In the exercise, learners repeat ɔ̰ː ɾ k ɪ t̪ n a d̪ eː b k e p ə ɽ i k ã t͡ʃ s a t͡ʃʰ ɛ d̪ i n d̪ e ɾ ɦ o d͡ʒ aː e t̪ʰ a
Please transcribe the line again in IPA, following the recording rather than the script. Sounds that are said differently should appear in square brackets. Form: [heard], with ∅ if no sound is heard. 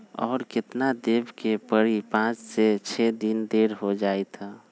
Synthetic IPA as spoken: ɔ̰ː ɾ k ɪ t̪ n a d̪ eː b k e p ə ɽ i [p] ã t͡ʃ s [e] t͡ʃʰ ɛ d̪ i n d̪ e ɾ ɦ o d͡ʒ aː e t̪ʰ a